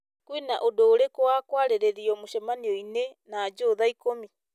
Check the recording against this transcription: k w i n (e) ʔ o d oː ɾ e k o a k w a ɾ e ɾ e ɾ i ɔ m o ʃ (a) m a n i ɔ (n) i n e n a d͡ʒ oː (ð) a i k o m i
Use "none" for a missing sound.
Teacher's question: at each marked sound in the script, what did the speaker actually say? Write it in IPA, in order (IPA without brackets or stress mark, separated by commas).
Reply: a, ɛ, none, ð